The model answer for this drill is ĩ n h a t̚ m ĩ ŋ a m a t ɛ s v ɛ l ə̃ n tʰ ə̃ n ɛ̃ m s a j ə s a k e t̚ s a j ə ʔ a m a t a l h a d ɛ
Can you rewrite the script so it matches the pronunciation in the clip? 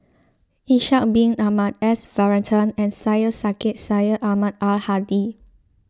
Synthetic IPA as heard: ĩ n ʃ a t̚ b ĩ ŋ a m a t ɛ s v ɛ ɹ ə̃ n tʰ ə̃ n ɛ̃ n s a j ə s a k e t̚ s a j ə ʔ a m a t a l h a d i